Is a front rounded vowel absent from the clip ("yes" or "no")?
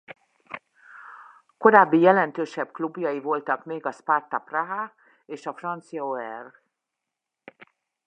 no